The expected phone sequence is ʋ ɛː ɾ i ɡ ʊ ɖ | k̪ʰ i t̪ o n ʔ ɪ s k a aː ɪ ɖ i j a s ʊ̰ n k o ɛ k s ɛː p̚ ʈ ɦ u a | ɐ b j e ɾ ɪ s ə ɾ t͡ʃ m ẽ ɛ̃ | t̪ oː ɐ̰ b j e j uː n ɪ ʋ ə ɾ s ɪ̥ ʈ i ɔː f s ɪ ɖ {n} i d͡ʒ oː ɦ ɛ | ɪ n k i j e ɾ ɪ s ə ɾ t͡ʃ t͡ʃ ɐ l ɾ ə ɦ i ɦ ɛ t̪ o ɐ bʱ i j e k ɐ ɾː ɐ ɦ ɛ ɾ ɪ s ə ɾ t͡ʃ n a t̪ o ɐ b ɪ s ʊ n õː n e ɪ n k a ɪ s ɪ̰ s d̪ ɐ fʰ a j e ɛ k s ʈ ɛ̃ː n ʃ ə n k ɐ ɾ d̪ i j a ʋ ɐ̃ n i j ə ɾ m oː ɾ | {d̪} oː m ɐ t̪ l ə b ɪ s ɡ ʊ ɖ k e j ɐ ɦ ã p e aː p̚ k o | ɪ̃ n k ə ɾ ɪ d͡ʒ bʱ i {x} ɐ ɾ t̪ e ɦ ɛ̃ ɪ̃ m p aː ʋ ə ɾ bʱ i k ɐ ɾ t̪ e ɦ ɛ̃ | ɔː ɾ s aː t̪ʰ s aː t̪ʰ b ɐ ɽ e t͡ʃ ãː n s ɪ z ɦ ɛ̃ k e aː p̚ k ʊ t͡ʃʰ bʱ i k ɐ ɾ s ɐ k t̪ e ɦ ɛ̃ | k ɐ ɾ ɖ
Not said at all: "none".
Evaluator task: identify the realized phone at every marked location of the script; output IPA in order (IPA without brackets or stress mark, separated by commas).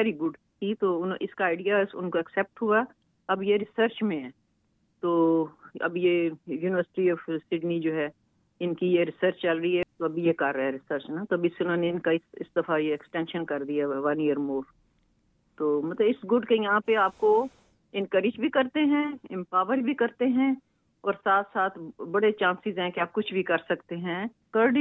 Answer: n, t̪, k